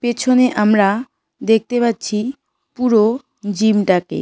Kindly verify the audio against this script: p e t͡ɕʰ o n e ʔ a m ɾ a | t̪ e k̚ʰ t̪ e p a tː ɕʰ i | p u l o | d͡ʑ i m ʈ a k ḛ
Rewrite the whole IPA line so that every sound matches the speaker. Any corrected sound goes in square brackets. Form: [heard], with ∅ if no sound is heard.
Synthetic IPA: p e t͡ɕʰ o n e ʔ a m ɾ a | [d̪] e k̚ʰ t̪ e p a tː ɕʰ i | p u [ɾ] o | d͡ʑ i m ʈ a k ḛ

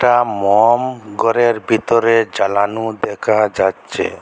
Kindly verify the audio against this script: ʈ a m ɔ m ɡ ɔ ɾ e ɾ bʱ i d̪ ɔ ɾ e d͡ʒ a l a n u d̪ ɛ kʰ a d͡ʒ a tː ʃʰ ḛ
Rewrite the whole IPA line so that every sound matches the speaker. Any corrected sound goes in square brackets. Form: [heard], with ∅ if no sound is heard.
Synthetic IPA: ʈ a m ɔ m ɡ ɔ ɾ e ɾ bʱ i [t̪] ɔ ɾ e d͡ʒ a l a n u d̪ ɛ kʰ a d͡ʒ a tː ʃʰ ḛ

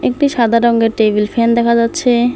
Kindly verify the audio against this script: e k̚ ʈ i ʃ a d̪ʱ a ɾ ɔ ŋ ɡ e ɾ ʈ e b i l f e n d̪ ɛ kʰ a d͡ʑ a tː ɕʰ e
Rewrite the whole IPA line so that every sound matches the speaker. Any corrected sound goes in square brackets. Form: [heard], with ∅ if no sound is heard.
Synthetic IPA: e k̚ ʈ i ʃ a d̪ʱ a ɾ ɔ ŋ ɡ e ɾ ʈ e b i l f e n d̪ ɛ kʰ a d͡ʑ a tː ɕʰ e

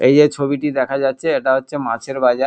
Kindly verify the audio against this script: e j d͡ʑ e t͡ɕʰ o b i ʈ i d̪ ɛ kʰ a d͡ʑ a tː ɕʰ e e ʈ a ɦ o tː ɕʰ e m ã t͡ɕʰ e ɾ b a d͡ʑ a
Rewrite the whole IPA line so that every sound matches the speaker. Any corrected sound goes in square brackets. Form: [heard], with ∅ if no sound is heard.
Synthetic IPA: e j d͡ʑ e t͡ɕʰ o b i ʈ i d̪ ɛ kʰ a d͡ʑ a tː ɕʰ e e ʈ a ɦ o tː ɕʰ e m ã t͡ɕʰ e ɾ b a d͡ʑ a

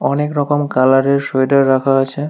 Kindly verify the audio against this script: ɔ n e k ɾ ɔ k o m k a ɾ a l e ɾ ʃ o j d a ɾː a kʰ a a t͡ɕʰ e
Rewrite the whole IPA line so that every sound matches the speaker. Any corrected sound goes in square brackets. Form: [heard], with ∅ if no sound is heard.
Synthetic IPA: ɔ n e k ɾ ɔ k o m k a [l] a [ɾ] e ɾ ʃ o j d a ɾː a kʰ a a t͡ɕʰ e

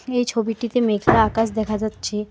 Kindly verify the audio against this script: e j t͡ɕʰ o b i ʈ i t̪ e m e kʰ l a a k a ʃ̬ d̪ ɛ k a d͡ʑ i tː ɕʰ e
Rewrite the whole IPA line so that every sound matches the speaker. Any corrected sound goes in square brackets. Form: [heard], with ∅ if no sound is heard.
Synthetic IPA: e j t͡ɕʰ o b i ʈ i t̪ e m e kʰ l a a k a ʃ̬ d̪ ɛ [kʰ] a d͡ʑ [a] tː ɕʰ e

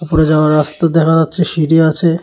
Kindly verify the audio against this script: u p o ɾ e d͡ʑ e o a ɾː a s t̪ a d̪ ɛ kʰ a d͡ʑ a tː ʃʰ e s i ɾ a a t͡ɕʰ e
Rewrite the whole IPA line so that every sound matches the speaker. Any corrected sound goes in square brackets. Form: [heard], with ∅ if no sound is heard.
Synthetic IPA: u p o ɾ e d͡ʑ [a] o a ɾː a s t̪ a d̪ ɛ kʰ a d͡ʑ a tː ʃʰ e [ʃ] i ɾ [i] a t͡ɕʰ e

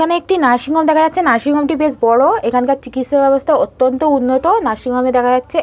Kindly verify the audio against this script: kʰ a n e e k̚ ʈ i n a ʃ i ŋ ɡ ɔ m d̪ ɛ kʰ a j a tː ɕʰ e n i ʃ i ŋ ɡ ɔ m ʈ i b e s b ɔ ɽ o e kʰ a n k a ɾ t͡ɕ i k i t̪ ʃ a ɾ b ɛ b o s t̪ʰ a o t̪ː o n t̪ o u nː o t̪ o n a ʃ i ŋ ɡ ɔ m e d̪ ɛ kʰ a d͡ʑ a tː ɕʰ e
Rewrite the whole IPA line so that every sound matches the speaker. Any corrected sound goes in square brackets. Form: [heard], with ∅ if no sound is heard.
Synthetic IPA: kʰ a n e e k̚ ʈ i n a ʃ i ŋ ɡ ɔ m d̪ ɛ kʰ a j a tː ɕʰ e n [a] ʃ i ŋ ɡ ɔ m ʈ i b e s b ɔ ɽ o e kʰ a n k a ɾ t͡ɕ i k i t̪ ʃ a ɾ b ɛ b o s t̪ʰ a o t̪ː o n t̪ o u nː o t̪ o n a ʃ i ŋ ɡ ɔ m e d̪ ɛ kʰ a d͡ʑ a tː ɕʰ e

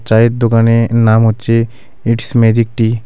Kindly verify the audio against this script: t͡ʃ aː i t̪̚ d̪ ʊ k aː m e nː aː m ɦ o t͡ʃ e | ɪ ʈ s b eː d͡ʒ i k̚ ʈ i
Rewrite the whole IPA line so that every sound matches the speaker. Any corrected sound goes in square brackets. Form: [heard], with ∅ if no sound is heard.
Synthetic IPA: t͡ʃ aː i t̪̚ d̪ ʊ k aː [n] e [n] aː m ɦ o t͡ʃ e | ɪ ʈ s [m] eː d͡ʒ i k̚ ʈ i

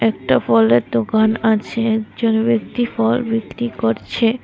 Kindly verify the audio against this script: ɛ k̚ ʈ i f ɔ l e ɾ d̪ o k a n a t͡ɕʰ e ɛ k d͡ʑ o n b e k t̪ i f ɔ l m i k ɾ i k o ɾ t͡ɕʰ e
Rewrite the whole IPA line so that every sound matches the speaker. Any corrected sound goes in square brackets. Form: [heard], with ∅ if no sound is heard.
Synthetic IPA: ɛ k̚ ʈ [a] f ɔ l e ɾ d̪ o k a n a t͡ɕʰ e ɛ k d͡ʑ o n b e k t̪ i f ɔ l [b] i k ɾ i k o ɾ t͡ɕʰ e

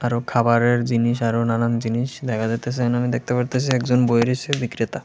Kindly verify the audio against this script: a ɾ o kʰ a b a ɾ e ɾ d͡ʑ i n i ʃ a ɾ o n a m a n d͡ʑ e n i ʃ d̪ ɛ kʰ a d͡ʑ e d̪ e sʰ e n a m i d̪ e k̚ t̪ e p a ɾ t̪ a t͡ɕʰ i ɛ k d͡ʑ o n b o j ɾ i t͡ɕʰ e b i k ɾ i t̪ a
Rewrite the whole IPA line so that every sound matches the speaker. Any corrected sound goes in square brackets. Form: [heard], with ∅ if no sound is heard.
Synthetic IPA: a ɾ o kʰ a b a ɾ e ɾ d͡ʑ i n i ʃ a ɾ o n a [n] a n d͡ʑ [i] n i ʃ d̪ ɛ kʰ a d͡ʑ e [t̪] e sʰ e n a m i d̪ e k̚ t̪ e p a ɾ t̪ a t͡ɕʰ i ɛ k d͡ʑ o n b o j ɾ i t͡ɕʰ e b i k ɾ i t̪ a

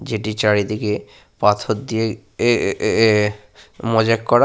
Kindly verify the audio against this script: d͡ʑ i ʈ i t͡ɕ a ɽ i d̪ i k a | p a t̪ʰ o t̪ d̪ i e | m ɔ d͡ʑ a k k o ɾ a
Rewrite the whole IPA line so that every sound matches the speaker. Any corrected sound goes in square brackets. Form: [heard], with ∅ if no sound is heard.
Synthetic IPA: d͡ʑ [e] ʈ i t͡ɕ a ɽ i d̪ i k [e] | p a t̪ʰ o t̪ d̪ i e | m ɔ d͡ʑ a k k [ɔ] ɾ a

